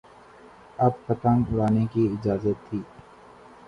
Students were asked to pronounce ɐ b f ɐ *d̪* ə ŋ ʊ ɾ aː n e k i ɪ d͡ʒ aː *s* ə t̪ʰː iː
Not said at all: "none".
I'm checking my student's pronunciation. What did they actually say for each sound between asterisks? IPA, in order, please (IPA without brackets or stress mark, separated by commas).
t̪, z